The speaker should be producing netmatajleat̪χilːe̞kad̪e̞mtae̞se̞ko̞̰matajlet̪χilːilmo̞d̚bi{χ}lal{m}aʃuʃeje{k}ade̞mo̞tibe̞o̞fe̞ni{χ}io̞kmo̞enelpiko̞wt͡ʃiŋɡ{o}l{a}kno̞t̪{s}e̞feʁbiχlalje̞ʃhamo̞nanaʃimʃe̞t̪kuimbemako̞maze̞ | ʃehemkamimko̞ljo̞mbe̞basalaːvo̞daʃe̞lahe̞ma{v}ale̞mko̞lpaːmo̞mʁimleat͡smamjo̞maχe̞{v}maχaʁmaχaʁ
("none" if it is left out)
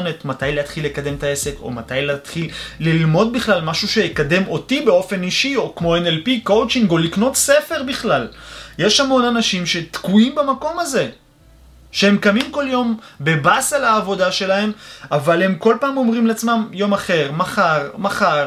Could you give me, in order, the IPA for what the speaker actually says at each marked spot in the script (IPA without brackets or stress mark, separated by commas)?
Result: χ, m, k, ʃ, o, i, s, v, ʁ